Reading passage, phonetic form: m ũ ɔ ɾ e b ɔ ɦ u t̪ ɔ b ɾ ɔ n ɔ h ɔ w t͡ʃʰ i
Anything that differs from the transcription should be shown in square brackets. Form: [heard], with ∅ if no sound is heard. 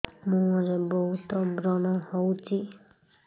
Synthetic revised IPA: m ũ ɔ ɾ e b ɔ ɦ u t̪ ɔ b ɾ ɔ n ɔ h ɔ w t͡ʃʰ i